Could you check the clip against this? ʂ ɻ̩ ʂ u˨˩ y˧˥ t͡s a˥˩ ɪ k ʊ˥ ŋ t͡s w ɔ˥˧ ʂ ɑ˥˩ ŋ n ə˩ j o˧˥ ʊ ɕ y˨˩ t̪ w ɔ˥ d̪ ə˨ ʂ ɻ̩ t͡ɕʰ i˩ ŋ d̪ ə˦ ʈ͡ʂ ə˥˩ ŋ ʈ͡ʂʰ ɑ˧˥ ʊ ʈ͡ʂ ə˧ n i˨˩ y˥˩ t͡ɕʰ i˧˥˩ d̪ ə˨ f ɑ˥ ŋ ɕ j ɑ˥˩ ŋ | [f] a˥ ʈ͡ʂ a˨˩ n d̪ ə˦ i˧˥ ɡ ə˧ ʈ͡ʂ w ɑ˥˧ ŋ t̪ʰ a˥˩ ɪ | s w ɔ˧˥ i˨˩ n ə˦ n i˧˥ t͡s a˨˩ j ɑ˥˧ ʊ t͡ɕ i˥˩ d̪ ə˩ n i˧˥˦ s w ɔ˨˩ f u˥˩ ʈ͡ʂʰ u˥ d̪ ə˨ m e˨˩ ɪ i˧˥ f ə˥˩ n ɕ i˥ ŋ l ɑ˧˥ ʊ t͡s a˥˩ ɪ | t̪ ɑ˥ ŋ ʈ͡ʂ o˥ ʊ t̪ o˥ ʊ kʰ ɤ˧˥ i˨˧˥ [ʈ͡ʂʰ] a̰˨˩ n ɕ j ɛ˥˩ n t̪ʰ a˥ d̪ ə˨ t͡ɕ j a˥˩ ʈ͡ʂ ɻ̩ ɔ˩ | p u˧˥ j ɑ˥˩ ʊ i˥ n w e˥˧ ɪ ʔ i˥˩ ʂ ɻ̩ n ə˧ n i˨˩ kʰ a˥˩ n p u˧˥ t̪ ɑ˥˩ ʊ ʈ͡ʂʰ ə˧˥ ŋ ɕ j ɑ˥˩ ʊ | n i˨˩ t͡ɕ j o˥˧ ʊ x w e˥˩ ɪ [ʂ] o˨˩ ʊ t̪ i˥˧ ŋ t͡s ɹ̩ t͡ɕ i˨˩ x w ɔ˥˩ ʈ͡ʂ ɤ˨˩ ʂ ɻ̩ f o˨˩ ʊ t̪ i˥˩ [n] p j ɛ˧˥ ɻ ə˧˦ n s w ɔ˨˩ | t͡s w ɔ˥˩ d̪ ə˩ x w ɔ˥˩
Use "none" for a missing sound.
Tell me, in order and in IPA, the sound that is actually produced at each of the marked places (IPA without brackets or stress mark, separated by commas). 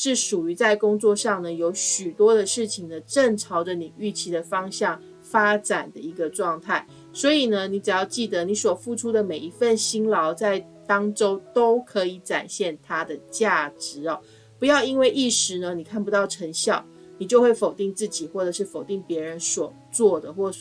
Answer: f, ʈ͡ʂ, f, ŋ